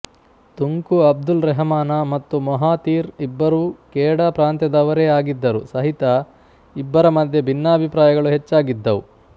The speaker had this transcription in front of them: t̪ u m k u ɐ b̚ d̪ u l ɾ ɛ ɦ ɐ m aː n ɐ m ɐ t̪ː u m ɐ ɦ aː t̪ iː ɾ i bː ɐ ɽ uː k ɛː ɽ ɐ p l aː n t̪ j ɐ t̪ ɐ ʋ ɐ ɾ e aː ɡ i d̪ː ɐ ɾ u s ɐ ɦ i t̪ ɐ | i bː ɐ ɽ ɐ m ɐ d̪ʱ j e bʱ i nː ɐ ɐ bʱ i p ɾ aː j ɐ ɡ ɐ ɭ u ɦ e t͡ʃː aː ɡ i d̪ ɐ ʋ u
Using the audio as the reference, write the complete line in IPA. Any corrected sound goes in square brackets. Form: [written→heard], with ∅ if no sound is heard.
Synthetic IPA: t̪ u [m→ŋ] k u ɐ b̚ d̪ u l ɾ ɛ ɦ ɐ m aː n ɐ m ɐ t̪ː u m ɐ ɦ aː t̪ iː ɾ i bː ɐ [ɽ→ɾ] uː k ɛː ɽ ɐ p [l→ɾ] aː n t̪ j ɐ [t̪→d̪] ɐ ʋ ɐ ɾ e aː ɡ i d̪ː ɐ ɾ u s ɐ ɦ i t̪ ɐ | i bː ɐ [ɽ→ɾ] ɐ m ɐ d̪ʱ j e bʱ i nː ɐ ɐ bʱ i p ɾ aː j ɐ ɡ ɐ ɭ u ɦ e t͡ʃː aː ɡ i [d̪→d̪ː] ɐ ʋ u